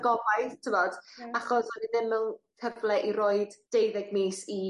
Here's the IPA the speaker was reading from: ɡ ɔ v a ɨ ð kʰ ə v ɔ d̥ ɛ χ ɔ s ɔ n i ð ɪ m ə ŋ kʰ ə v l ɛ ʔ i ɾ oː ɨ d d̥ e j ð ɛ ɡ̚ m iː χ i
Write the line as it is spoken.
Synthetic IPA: ɡ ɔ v a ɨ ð tʰ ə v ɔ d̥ a χ ɔ s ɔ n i ð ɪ m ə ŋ kʰ ə v l ɛ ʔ i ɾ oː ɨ d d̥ e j ð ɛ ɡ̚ m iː s i